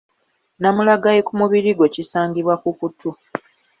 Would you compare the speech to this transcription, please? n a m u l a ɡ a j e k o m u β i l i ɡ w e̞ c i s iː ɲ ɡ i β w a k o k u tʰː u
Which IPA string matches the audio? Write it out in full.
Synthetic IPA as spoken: n a m u l a ɡ a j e k u m u β i ɾ i ɡ w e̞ c i s aː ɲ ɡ i β w a k u k u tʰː u

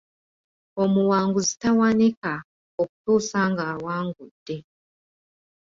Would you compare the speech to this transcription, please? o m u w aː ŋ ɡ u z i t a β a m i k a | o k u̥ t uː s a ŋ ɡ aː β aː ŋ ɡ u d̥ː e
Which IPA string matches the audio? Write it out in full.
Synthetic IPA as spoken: o m u w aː ŋ ɡ u z i t a w a n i k a | o k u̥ t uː s a ŋ ɡ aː w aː ŋ ɡ u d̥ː e

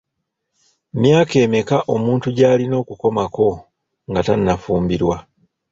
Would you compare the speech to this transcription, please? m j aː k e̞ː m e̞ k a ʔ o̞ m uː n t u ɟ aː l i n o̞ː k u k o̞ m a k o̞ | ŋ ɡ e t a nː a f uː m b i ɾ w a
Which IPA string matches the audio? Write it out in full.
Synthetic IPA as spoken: m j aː k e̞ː m e̞ k a ʔ o̞ m uː n t u ɟ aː l i n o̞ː k u k o̞ m a k o̞ | ŋ ɡ a t a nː a f uː m b i ɾ w a

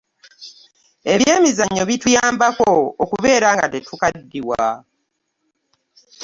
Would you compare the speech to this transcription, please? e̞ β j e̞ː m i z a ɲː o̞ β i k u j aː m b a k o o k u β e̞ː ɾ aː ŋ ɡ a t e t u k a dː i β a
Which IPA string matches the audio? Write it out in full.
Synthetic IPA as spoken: e̞ β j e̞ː m i z a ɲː o̞ β i t u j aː m b a k o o k u β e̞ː ɾ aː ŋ ɡ a t e t u k a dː i w a

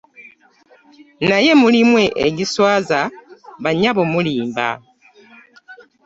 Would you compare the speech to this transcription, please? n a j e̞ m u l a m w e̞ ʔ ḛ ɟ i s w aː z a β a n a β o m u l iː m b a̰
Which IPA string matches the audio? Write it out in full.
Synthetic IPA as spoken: n a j e̞ m u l i m w e̞ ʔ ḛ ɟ i s w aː z a β a ɲ a β o m u l iː m b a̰

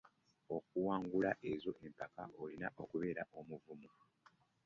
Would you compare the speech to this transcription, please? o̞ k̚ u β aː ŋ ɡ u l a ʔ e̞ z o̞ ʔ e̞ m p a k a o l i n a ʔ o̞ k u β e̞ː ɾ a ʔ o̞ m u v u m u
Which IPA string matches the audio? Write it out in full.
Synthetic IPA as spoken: o̞ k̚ u w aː ŋ ɡ u l a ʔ e̞ z o̞ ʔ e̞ m p a k a o l i n a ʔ o̞ k u β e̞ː ɾ a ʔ o̞ m u v u m u

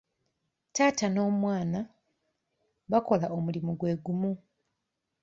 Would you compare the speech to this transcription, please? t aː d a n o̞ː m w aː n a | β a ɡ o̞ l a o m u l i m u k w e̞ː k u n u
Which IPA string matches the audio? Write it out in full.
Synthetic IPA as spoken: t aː t a n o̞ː m w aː n a | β a k o̞ l a o m u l i m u ɡ w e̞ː ɡ u m u

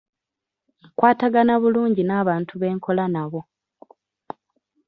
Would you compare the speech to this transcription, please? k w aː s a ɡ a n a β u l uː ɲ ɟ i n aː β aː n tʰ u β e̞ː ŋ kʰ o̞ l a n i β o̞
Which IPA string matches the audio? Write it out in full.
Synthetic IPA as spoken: k w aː t a ɡ a n a β u l uː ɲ ɟ i n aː β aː n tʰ u β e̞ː ŋ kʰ o̞ l a n a β o̞

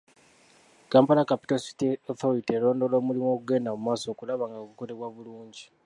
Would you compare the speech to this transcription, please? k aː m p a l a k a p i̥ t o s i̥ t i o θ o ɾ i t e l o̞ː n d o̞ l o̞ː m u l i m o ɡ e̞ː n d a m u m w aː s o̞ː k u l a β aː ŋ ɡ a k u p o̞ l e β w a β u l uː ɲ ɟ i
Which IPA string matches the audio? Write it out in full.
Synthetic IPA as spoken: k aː m p a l a k a p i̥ t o s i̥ t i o θ o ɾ i t e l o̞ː n d o̞ l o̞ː m u l i m o ɡ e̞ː n d a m u m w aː s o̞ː k u l a β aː ŋ ɡ a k u k o̞ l e β w a β u l uː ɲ ɟ i

